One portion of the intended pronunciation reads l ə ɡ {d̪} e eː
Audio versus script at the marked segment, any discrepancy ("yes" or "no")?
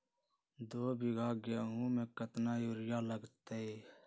yes